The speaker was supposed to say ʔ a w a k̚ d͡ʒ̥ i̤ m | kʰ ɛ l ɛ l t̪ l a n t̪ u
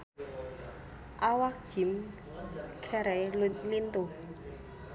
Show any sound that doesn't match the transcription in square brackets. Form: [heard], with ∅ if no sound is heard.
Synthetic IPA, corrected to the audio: ʔ a w a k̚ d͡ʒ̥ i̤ m | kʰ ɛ [ɾ] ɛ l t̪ l [i] n t̪ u